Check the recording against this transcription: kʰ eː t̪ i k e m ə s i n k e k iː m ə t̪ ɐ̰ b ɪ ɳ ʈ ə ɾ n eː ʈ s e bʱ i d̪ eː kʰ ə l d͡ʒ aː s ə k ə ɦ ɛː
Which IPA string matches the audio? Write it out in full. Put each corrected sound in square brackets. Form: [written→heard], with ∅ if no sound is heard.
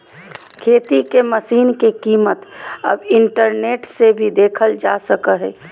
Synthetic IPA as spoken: kʰ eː t̪ i k e m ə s [i→iː] n k e k iː m ə t̪ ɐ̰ b ɪ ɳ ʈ ə ɾ n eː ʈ s e bʱ i d̪ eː kʰ ə l d͡ʒ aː s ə k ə ɦ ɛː